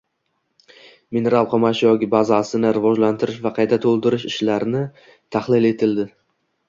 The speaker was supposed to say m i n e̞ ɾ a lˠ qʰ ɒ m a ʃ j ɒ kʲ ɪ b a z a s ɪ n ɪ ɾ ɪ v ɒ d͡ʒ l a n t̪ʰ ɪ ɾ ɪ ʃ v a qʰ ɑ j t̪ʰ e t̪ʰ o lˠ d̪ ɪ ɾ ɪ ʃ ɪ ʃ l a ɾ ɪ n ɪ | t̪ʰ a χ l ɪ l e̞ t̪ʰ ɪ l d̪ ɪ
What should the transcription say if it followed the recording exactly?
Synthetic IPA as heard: m i n e̞ ɾ a lˠ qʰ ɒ m a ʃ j ɒ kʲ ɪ b a z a s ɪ n ɪ ɾ ɪ v ɒ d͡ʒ l a n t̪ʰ ɪ ɾ ɪ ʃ v a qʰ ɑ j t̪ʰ a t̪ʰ o lˠ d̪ ɪ ɾ ɪ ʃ ɪ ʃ l a ɾ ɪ n ɪ | t̪ʰ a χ l ɪ l e̞ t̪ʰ ɪ l d̪ ɪ